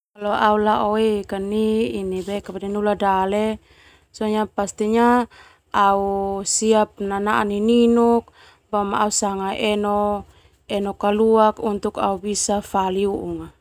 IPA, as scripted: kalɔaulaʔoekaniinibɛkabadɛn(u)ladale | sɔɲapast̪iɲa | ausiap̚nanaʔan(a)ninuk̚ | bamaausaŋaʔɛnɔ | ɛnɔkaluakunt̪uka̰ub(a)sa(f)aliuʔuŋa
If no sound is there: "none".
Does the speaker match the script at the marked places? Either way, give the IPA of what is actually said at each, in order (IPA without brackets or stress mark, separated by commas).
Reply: u, i, i, f